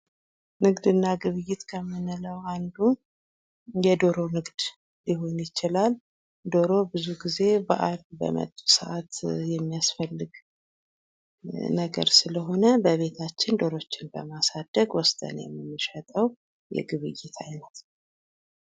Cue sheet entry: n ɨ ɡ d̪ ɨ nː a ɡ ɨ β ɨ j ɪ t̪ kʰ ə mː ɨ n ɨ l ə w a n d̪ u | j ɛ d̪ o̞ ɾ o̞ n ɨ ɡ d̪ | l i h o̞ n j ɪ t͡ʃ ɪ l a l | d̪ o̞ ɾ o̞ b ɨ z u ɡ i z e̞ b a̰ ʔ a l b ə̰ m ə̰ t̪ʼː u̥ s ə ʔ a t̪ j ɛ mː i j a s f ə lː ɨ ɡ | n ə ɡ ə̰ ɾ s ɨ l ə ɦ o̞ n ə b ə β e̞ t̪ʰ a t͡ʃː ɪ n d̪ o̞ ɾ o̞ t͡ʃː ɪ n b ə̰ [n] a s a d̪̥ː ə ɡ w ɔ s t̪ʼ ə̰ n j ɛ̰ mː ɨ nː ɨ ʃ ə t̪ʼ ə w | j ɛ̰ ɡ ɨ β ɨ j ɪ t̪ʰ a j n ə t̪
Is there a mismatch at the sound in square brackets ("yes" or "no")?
yes